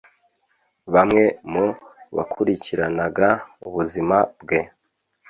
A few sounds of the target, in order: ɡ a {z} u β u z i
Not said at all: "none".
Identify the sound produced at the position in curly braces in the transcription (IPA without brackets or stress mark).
none